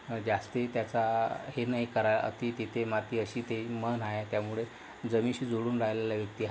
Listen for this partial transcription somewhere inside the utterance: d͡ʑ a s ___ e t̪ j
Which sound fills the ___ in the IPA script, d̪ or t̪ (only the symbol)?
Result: t̪